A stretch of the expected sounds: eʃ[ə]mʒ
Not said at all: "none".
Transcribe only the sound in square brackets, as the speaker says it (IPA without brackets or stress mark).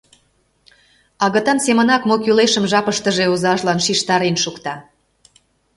ə